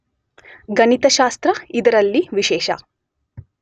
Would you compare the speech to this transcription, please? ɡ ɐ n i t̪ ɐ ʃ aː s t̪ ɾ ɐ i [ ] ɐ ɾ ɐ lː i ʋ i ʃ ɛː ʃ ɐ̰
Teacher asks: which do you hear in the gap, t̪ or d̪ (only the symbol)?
d̪